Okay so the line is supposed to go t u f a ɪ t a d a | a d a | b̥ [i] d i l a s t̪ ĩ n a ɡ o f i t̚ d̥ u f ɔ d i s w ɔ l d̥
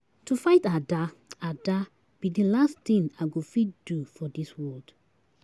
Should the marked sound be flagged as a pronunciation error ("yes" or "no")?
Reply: no